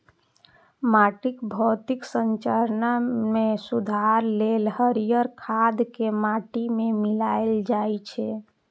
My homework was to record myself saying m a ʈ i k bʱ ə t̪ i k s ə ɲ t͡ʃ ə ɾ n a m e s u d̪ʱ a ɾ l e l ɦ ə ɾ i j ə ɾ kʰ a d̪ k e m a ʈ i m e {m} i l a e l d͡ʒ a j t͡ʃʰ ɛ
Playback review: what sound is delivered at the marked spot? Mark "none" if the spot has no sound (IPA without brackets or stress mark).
m